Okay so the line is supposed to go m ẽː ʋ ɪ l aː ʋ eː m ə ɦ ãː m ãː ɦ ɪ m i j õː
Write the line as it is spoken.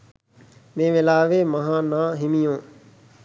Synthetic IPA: m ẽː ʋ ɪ l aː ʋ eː m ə ɦ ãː n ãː ɦ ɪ m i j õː